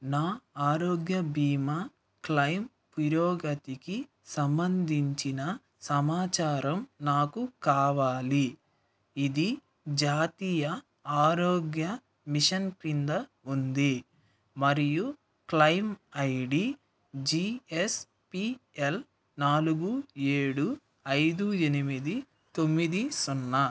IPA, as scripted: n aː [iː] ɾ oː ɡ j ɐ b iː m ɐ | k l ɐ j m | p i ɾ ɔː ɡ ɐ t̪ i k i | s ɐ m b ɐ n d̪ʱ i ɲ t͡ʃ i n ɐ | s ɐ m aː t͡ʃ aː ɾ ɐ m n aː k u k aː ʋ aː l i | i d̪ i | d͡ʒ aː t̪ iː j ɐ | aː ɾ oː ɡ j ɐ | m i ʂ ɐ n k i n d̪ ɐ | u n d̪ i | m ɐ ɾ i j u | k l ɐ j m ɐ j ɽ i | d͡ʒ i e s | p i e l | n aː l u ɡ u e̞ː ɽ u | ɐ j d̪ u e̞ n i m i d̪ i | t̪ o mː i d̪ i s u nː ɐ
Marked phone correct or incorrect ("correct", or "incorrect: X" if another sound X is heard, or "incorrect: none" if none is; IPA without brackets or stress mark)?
incorrect: aː